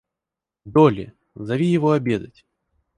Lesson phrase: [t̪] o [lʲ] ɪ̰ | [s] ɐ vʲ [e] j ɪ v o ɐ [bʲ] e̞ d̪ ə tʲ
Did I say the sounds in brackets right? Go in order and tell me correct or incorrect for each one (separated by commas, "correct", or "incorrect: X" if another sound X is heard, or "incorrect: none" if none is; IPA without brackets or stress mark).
incorrect: d̪, correct, incorrect: z, incorrect: i, correct